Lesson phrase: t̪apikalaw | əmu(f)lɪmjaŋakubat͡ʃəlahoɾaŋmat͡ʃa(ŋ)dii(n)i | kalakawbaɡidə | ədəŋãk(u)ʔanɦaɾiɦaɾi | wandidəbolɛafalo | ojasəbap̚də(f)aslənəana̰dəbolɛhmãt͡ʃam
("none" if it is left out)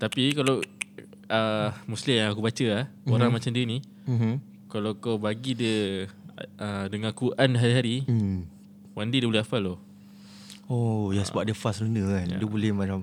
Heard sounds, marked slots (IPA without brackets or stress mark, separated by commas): s, m, n, u, f